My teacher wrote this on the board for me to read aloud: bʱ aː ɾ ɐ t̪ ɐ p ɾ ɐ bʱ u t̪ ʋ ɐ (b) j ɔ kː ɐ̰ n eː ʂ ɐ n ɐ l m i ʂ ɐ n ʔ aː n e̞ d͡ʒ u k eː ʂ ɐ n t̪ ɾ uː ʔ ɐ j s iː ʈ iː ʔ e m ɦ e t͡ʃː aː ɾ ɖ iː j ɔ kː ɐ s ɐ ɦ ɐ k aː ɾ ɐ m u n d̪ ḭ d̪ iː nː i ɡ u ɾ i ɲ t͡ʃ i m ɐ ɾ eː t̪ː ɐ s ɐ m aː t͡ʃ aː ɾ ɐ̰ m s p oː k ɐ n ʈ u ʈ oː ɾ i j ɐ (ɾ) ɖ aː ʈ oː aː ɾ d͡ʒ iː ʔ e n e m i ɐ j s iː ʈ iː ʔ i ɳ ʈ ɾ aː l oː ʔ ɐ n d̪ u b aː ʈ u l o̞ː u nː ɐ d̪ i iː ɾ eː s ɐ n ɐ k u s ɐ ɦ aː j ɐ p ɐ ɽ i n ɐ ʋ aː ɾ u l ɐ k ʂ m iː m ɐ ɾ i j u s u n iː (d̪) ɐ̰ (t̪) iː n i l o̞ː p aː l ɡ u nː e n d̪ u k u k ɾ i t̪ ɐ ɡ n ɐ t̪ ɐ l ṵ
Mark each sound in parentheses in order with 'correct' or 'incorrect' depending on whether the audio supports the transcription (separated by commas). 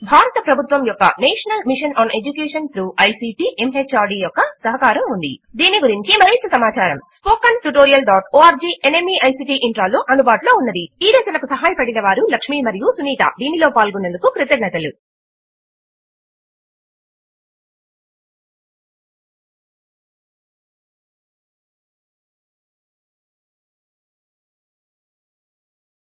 incorrect, incorrect, incorrect, incorrect